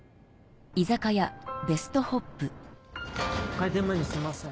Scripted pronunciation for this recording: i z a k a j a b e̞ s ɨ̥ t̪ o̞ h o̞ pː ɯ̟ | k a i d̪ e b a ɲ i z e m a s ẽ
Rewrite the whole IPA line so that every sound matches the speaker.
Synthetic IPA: i z a k a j a b e̞ s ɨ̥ t̪ o̞ h o̞ pː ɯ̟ | k a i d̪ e m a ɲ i s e m a s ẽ